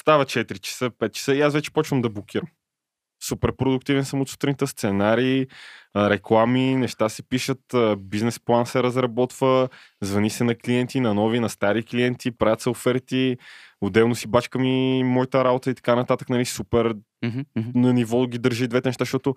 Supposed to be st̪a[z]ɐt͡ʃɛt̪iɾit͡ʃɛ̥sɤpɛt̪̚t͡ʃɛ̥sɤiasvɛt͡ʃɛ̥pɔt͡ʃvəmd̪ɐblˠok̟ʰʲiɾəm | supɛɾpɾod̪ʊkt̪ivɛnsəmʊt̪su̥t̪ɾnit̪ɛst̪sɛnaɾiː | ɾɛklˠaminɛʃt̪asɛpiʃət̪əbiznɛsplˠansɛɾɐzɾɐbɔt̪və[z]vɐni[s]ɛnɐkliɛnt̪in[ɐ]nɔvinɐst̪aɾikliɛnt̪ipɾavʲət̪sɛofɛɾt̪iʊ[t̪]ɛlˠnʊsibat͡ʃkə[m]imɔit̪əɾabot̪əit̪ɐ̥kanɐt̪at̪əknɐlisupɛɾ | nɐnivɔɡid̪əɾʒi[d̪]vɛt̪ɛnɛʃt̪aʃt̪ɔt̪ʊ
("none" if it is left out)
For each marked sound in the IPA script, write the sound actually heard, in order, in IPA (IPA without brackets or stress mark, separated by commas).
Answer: v, z, s, ɐ, d̪, m, d̪